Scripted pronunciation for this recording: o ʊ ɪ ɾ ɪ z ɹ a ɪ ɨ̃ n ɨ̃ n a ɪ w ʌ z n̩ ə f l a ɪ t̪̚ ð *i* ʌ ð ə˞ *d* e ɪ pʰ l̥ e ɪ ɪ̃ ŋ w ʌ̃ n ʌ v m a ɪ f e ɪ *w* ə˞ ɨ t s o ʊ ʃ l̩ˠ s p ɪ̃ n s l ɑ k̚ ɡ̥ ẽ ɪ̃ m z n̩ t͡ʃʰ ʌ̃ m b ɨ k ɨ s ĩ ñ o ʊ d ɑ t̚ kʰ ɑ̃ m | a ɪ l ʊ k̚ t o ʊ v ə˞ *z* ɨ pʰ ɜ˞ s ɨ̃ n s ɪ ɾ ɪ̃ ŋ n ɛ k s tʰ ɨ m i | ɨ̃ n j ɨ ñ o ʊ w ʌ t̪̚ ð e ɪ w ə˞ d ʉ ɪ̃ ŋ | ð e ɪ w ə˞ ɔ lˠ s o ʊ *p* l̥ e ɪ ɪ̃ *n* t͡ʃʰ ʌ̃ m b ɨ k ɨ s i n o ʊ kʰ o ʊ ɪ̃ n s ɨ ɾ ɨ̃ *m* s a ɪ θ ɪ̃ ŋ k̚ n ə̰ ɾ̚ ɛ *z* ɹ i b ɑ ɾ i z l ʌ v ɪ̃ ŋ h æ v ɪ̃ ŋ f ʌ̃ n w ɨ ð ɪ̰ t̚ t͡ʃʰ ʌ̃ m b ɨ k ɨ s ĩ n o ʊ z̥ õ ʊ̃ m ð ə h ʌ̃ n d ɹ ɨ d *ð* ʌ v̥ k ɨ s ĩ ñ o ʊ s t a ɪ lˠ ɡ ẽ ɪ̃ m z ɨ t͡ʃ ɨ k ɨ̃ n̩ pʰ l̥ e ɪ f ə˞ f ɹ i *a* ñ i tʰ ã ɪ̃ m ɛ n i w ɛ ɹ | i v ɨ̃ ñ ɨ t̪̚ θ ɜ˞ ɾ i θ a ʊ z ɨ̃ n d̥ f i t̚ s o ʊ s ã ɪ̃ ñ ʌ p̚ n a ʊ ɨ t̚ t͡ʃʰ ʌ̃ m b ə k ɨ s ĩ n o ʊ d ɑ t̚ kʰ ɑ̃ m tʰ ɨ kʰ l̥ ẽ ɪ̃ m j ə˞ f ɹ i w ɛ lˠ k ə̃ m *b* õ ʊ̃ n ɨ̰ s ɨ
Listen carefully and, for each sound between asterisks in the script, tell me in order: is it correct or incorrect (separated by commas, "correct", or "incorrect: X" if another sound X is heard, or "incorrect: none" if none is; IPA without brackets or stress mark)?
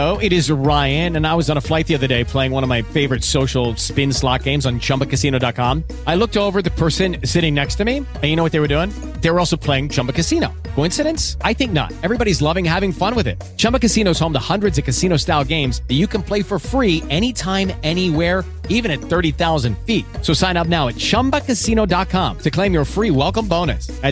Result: correct, correct, incorrect: v, incorrect: ð, incorrect: pʰ, incorrect: ŋ, incorrect: n, incorrect: v, incorrect: z, incorrect: ɛ, correct